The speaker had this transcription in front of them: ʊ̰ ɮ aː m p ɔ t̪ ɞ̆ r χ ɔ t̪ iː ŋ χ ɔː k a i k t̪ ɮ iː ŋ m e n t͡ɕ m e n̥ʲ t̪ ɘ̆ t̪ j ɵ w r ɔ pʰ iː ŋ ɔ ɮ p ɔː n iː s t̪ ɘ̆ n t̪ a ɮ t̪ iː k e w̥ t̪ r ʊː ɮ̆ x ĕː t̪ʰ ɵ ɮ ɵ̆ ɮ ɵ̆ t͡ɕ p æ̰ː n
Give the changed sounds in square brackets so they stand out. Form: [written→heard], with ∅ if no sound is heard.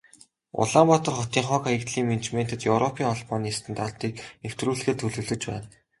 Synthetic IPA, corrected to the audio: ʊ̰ ɮ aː m p ɔ t̪ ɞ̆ r χ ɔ t̪ iː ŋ χ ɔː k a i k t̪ ɮ iː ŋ m e n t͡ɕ m e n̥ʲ t̪ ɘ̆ t̪ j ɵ w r ɔ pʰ iː ŋ ɔ ɮ p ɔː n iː s t̪ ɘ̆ n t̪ a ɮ t̪ iː k e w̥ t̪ r [ʊː→uː] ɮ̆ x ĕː t̪ʰ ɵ ɮ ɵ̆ ɮ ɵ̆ t͡ɕ p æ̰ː n